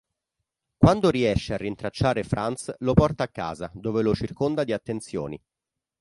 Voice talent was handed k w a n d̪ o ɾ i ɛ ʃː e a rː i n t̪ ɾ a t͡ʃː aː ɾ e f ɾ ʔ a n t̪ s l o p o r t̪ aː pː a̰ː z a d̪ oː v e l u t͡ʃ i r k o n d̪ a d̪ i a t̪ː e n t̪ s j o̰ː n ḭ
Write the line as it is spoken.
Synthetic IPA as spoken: k w a n d̪ o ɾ i ɛ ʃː e a rː i n t̪ ɾ a t͡ʃː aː ɾ e f ɾ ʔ a n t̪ s l o p ɔ r t̪ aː kː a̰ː z a d̪ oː v e l o t͡ʃ i r k o n d̪ a d̪ i a t̪ː e n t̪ s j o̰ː n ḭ